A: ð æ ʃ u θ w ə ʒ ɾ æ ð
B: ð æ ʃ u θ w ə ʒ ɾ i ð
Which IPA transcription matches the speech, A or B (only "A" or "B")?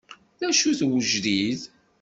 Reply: B